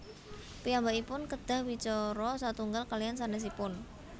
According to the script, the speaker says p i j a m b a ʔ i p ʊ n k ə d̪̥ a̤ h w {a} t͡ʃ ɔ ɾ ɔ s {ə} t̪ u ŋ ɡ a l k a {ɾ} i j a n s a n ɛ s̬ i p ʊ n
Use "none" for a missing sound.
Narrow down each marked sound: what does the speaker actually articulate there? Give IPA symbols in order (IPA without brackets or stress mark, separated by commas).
i, a, l